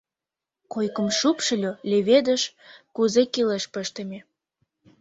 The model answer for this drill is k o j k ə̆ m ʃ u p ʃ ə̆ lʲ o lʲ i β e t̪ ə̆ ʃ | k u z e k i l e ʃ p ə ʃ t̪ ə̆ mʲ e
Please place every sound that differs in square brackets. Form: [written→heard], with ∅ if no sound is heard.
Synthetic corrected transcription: k o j k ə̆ m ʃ u p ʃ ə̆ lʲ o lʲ [i→e] β e [t̪→d̪] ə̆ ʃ | k u z e k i l e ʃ p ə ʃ t̪ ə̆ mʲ e